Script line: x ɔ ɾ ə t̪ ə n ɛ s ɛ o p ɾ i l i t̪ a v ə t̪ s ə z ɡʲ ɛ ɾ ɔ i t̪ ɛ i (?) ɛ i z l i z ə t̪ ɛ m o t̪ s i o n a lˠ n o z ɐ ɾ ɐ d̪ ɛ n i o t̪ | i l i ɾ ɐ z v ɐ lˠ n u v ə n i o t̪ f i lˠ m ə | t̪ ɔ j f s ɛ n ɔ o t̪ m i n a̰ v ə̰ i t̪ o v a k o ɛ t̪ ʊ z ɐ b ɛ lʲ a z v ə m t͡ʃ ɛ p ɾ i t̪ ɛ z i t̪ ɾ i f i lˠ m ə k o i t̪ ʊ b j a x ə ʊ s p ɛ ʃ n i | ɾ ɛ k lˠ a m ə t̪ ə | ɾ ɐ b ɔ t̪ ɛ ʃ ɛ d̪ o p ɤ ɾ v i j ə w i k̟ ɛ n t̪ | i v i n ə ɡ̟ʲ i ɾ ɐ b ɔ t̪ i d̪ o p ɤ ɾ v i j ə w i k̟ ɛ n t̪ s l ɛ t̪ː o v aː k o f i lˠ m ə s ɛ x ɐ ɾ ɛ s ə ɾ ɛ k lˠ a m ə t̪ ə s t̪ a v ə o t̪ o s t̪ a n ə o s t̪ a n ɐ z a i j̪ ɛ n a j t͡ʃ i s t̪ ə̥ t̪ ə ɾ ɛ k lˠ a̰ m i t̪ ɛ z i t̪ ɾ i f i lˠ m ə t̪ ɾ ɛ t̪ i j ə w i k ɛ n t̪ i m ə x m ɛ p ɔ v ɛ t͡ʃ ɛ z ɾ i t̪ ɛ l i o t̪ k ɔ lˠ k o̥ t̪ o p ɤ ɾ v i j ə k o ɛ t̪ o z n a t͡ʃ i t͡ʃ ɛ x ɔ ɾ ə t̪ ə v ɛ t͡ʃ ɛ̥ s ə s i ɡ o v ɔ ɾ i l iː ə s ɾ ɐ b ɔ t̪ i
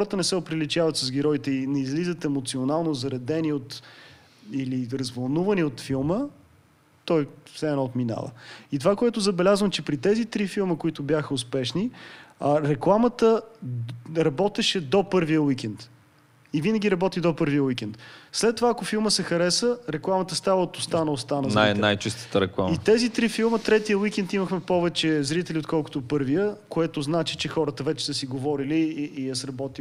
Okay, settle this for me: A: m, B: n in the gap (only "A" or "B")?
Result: B